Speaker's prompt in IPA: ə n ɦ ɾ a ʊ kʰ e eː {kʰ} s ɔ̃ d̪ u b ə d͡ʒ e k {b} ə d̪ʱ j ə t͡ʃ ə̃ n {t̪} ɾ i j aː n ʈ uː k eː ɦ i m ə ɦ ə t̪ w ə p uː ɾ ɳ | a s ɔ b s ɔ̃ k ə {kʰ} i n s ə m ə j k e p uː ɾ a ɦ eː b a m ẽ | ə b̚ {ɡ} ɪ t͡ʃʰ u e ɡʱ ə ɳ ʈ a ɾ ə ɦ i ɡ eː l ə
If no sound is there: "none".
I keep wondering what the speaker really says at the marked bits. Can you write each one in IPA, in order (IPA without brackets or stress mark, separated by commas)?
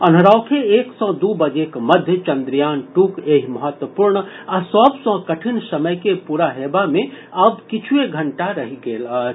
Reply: k, m, d̪, ʈʰ, k